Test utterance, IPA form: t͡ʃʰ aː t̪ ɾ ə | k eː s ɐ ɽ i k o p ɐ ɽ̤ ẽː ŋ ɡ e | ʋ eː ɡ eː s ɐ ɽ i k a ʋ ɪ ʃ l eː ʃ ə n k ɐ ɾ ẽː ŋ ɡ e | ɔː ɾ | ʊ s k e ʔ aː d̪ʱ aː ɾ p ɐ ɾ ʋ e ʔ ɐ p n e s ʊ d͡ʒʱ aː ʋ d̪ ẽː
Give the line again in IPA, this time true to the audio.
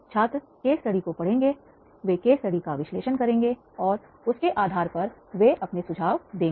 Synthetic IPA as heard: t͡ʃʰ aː t̪ ɾ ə | k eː s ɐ ɽ i k o p ɐ ɽ̤ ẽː ŋ ɡ e | ʋ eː k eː s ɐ ɽ i k a ʋ ɪ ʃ l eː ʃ ə n k ɐ ɾ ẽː ŋ ɡ e | ɔː ɾ | ʊ s k e ʔ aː d̪ʱ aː ɾ p ɐ ɾ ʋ e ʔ ɐ p n e s ʊ d͡ʒʱ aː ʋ d̪ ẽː